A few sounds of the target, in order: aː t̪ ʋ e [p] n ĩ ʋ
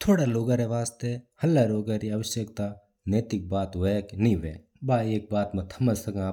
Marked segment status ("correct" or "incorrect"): incorrect